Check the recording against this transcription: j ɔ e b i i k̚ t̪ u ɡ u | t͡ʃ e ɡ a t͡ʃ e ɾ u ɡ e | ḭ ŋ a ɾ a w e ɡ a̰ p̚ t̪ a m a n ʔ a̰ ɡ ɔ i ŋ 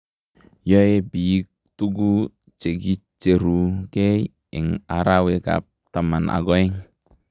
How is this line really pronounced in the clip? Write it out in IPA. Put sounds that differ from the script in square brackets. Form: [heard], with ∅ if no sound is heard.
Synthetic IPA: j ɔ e b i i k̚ t̪ u ɡ u | t͡ʃ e ɡ [i] t͡ʃ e ɾ u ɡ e | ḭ ŋ a ɾ a w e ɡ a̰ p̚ t̪ a m a n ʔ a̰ ɡ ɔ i ŋ

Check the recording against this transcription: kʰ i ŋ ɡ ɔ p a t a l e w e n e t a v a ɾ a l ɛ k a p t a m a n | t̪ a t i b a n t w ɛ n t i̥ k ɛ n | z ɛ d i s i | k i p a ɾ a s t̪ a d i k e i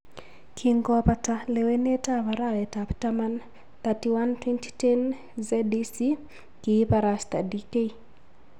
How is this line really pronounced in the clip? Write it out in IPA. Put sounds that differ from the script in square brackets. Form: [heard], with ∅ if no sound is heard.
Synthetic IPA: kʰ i ŋ ɡ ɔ p a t a l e w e n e t a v a ɾ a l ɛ [t] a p t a m a n | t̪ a t i [w] a n t w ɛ n t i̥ [t] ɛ n | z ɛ d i s i | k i p a ɾ a s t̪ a d i k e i

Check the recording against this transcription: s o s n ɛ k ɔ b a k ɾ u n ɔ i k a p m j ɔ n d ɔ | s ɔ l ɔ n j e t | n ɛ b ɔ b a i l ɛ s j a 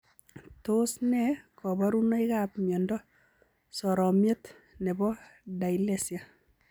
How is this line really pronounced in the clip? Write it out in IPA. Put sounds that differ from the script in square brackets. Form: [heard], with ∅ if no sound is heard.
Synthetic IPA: [t] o s n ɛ k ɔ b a [∅] ɾ u n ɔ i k a p m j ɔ n d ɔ | s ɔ [ɾ] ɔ [m] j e t | n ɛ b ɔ [d] a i l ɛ s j a

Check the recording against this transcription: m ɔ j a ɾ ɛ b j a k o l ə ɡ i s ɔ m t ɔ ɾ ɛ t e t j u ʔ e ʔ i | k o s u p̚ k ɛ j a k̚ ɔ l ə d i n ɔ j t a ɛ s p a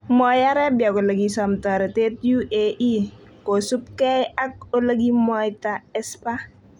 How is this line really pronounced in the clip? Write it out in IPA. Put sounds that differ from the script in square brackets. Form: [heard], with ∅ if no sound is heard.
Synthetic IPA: m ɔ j a ɾ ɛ b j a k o l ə ɡ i s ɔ m t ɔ ɾ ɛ t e t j u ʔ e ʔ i | k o s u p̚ k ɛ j a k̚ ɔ l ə [ɡ] i [m] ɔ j t a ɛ s p a

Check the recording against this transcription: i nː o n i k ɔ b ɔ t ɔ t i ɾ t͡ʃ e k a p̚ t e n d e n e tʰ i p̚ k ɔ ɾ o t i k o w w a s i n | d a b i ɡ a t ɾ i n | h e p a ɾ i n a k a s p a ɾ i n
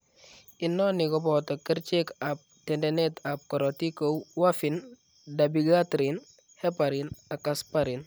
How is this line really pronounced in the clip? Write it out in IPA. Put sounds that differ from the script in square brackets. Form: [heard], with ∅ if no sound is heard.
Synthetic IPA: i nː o n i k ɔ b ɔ t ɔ [k] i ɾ t͡ʃ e k a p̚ t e n d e n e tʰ [a] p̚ k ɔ ɾ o t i k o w w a [f] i n | d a b i ɡ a t ɾ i n | h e p a ɾ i n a k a s p a ɾ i n

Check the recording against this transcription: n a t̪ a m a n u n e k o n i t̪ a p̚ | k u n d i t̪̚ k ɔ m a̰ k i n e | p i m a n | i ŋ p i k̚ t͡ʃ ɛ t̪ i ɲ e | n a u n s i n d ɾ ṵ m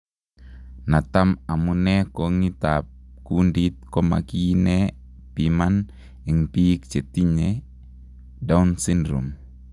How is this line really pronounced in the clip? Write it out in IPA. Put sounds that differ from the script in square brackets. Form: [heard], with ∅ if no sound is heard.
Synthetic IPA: n a t̪ a m a [m] u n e k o [ŋ] i t̪ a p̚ | k u n d i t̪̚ k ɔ m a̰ k i n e | p i m a n | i ŋ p i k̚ t͡ʃ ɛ t̪ i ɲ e | [d] a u n s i n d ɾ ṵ m

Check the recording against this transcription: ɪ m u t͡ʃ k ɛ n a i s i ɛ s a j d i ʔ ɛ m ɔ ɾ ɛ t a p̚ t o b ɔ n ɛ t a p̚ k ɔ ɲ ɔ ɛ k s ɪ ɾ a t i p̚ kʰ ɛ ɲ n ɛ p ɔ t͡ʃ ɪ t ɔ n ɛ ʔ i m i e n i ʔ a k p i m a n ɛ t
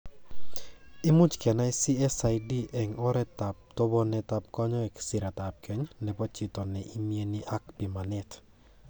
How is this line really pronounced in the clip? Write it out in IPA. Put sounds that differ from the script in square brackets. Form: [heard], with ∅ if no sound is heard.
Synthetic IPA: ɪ m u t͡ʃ k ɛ n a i s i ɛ s a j d i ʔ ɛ [ŋ] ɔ ɾ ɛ t a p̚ t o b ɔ n ɛ t a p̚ k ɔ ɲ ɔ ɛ k s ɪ ɾ a t [a] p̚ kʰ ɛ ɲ n ɛ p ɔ t͡ʃ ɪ t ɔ n ɛ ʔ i m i e n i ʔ a k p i m a n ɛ t

